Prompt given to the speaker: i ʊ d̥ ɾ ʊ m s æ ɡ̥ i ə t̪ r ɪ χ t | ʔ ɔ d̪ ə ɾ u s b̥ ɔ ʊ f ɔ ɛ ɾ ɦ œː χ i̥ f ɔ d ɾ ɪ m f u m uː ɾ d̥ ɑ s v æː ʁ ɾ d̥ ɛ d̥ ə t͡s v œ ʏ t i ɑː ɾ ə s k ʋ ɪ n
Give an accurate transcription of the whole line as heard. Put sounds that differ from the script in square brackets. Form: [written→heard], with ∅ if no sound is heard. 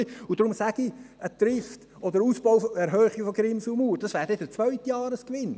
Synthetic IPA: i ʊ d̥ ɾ ʊ m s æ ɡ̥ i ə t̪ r ɪ [χ→f] t | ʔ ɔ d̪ ə ɾ u s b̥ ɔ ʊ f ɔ ɛ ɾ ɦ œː χ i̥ f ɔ [d→ɡ] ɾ ɪ m [f→s] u m uː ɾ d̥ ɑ s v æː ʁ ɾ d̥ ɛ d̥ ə t͡s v œ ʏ t [i→j] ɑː ɾ ə s k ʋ ɪ n